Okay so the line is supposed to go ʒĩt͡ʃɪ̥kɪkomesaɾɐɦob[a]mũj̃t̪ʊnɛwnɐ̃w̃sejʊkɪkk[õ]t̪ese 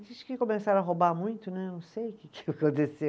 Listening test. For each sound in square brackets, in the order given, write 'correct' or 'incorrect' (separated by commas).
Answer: correct, correct